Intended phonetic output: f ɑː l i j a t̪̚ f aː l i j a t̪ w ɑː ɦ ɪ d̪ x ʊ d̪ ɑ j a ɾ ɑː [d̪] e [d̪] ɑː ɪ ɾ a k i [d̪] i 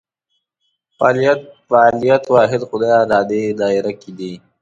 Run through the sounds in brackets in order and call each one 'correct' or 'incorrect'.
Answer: correct, correct, correct

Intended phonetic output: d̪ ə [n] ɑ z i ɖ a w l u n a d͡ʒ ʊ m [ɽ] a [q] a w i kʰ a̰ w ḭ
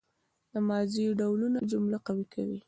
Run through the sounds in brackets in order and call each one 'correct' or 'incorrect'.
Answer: incorrect: m, incorrect: l, correct

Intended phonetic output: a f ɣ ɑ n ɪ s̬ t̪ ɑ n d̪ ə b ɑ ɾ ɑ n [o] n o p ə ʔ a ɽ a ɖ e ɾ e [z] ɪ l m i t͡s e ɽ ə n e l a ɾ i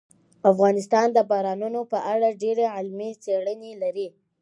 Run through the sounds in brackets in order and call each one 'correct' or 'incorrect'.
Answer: incorrect: u, incorrect: ʕ

